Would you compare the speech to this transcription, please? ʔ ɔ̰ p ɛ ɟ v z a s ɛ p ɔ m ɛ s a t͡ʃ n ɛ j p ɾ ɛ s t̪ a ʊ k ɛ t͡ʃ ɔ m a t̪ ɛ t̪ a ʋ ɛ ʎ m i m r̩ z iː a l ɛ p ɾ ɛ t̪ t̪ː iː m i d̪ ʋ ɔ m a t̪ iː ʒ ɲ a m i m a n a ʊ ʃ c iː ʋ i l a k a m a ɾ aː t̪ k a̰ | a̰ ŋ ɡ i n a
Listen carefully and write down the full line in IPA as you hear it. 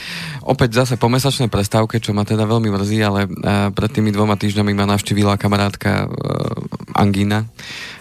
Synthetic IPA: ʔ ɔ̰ p ɛ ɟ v z a s ɛ p ɔ m ɛ s a t͡ʃ n ɛ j p ɾ ɛ s t̪ a ʊ k ɛ t͡ʃ ɔ m a t̪ ɛ d̪ a ʋ ɛ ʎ m i m r̩ z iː a l ɛ p ɾ ɛ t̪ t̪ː iː m i d̪ ʋ ɔ m a t̪ iː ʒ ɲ a m i m a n a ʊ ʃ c iː ʋ i l a k a m a ɾ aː t̪ k a̰ | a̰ ŋ ɡ i n a